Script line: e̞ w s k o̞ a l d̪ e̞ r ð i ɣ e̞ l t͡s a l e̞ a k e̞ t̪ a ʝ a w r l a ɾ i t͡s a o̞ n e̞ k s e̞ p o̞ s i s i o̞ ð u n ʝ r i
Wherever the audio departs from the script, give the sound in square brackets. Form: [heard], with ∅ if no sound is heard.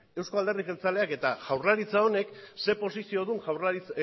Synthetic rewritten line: e̞ w s k o̞ a l d̪ e̞ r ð i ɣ e̞ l t͡s a l e̞ a k e̞ t̪ a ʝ a w r l a ɾ i t͡s a o̞ n e̞ k s e̞ p o̞ s i s i o̞ ð u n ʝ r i

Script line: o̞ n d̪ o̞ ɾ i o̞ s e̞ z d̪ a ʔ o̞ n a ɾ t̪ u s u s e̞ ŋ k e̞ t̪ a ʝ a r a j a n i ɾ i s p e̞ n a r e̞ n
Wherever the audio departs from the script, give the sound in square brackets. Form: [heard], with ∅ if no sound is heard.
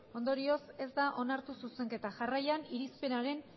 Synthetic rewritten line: o̞ n d̪ o̞ ɾ i o̞ s e̞ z d̪ a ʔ o̞ n a ɾ t̪ u s u s e̞ ŋ k e̞ t̪ a ʝ a r a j a n i ɾ i s p e̞ n a [ɾ] e̞ n

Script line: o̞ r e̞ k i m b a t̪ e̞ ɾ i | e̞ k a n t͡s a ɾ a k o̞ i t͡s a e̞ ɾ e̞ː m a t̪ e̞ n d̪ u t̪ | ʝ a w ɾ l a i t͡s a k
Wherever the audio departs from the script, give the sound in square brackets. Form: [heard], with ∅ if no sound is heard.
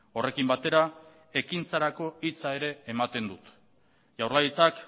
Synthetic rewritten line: o̞ r e̞ k i m b a t̪ e̞ ɾ [a] | e̞ k [i] n t͡s a ɾ a k o̞ i t͡s a e̞ ɾ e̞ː m a t̪ e̞ n d̪ u t̪ | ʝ a w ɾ l a i t͡s a k

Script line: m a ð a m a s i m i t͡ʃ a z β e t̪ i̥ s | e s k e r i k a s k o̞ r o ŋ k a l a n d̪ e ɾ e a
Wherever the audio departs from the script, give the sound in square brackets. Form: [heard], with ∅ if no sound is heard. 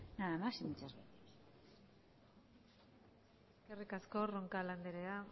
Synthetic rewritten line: [n] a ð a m a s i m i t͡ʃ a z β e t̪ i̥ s | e s k e r i k a s k o̞ r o ŋ k a l a n d̪ e ɾ e a

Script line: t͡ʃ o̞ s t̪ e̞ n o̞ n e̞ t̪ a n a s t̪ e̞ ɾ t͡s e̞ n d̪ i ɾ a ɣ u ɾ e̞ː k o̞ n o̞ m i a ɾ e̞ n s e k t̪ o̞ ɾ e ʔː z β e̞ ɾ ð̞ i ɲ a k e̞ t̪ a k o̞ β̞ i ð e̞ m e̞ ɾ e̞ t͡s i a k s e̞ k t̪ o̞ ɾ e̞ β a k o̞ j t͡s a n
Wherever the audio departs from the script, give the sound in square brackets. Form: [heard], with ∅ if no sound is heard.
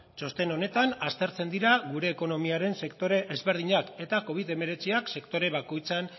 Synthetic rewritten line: t͡ʃ o̞ s t̪ e̞ n o̞ n e̞ t̪ a n a s t̪ e̞ ɾ t͡s e̞ n d̪ i ɾ a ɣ u ɾ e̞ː k o̞ n o̞ m i a ɾ e̞ n s e k t̪ o̞ ɾ e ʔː z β e̞ ɾ ð̞ i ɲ a k e̞ t̪ a k o̞ β̞ i ð e̞ m e̞ ɾ e̞ t͡s i a k s e̞ k t̪ o̞ ɾ e̞ β a k o̞ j t͡s a n

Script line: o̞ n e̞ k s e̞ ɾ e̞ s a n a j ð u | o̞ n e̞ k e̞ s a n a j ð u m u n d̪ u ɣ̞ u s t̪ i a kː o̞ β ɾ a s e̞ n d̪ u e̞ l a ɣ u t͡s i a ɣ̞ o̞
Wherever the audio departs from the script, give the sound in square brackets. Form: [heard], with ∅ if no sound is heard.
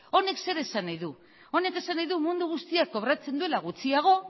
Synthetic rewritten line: o̞ n e̞ k s e̞ ɾ e̞ s a n a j ð u | o̞ n e̞ k e̞ s a n a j ð u m u n d̪ u ɣ̞ u s t̪ i a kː o̞ β ɾ a [t͡s] e̞ n d̪ u e̞ l a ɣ u t͡s i a ɣ̞ o̞

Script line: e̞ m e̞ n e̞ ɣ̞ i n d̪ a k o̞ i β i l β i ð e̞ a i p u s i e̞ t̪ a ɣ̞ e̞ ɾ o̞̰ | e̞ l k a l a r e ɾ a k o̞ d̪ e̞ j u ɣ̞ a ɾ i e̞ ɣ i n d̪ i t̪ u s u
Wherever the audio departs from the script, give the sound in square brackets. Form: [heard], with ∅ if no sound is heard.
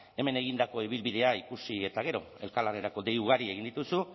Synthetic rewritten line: e̞ m e̞ n e̞ ɣ̞ i n d̪ a k o̞ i β i l β i ð e̞ a i [k] u s i e̞ t̪ a ɣ̞ e̞ ɾ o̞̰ | e̞ l k a l a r e ɾ a k o̞ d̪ e̞ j u ɣ̞ a ɾ i e̞ ɣ i n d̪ i t̪ u s u

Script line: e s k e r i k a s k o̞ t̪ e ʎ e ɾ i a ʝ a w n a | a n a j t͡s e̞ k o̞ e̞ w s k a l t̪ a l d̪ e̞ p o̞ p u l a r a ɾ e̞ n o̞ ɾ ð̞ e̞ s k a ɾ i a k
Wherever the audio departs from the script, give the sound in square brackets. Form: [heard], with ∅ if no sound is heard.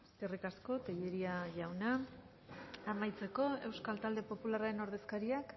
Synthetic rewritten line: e s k e r i k a s k o̞ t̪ e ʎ e ɾ i a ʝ a w n a | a [m] a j t͡s e̞ k o̞ e̞ w s k a l t̪ a l d̪ e̞ p o̞ p u l a r a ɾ e̞ n o̞ ɾ ð̞ e̞ s k a ɾ i a k

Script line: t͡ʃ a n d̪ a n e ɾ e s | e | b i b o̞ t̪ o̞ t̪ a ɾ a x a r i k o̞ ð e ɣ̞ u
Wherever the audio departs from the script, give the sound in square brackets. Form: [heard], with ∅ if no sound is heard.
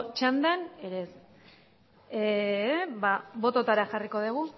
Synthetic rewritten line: t͡ʃ a n d̪ a n e ɾ e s | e | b [a] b o̞ t̪ o̞ t̪ a ɾ a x a r i k o̞ ð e ɣ̞ u

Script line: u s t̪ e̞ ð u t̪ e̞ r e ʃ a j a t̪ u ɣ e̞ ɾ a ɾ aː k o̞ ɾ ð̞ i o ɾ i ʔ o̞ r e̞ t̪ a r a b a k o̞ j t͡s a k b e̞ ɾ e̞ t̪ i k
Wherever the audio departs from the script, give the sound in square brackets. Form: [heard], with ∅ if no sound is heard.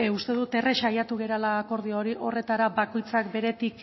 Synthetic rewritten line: u s t̪ e̞ ð u t̪ e̞ r e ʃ a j a t̪ u ɣ e̞ ɾ a [l] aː k o̞ ɾ ð̞ i o ɾ i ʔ o̞ r e̞ t̪ a [ɾ] a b a k o̞ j t͡s a k b e̞ ɾ e̞ t̪ i k

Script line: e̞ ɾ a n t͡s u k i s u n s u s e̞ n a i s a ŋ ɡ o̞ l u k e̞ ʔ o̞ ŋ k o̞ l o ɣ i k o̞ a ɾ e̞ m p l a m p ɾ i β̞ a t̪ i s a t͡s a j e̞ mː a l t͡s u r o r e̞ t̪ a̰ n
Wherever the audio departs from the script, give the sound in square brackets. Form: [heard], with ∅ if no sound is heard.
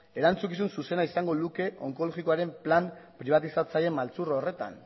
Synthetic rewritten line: e̞ ɾ a n t͡s u k i s u n s u s e̞ n a i s a ŋ ɡ o̞ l u k e̞ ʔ o̞ ŋ k o̞ l o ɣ i k o̞ a ɾ e̞ m p l a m p ɾ i β̞ a t̪ i s a t͡s a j e̞ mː a l t͡s u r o r e̞ t̪ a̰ n

